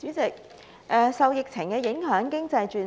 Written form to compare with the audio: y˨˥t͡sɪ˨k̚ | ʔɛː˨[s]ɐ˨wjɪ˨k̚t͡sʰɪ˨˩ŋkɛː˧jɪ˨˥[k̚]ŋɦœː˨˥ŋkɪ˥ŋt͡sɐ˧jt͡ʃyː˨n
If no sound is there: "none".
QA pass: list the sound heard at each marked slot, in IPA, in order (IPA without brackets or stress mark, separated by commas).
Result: s, none